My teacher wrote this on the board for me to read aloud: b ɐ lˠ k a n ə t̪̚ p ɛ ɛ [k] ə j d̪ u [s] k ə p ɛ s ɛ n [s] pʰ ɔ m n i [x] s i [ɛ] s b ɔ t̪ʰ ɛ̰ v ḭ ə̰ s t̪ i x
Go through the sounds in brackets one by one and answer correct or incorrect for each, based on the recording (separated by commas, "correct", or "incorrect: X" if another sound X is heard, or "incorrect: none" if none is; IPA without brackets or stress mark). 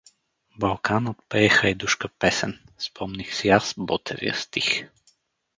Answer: incorrect: x, incorrect: ʃ, correct, correct, incorrect: a